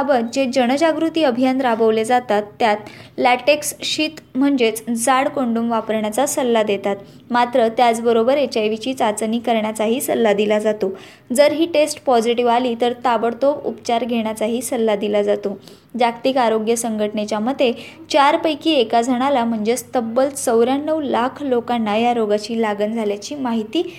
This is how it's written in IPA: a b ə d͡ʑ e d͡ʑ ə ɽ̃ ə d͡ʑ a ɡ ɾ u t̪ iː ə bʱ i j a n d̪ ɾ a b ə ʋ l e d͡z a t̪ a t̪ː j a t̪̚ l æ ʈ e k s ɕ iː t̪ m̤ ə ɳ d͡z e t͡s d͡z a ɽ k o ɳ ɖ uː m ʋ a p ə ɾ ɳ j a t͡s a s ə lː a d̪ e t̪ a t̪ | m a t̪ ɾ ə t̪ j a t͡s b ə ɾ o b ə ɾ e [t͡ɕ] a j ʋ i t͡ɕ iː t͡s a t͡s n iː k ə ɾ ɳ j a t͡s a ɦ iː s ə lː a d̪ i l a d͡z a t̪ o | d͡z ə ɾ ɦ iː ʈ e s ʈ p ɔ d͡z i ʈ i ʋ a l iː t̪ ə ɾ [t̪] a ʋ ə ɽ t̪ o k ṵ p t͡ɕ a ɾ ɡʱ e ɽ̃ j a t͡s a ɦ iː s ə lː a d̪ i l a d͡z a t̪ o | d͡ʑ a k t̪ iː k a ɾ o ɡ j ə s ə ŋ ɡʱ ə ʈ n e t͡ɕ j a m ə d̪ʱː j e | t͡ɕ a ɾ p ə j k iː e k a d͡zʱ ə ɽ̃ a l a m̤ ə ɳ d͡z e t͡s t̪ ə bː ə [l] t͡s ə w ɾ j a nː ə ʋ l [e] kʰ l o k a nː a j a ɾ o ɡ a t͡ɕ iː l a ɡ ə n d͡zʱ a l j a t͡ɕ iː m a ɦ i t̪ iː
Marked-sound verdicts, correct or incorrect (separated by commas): correct, correct, correct, incorrect